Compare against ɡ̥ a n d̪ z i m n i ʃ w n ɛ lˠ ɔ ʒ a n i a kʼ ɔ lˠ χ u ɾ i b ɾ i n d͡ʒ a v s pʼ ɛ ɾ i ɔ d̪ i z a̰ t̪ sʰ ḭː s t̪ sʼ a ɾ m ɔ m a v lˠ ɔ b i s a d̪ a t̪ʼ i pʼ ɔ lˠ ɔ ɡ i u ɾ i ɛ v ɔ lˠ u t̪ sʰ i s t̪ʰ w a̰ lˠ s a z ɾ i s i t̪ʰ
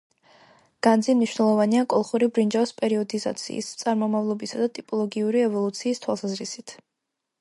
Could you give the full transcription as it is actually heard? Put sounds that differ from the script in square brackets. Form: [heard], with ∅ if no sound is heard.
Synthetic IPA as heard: ɡ̥ a n d̪ z i m n i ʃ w n ɛ lˠ ɔ [v] a n i a kʼ ɔ lˠ χ u ɾ i b ɾ i n d͡ʒ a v s pʼ ɛ ɾ i ɔ d̪ i z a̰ t̪ sʰ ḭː s t̪ sʼ a ɾ m ɔ m a v lˠ ɔ b i s a d̪ a t̪ʼ i pʼ ɔ lˠ ɔ ɡ i u ɾ i ɛ v ɔ lˠ u t̪ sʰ [iː] s t̪ʰ w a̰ lˠ s a z ɾ i s i t̪ʰ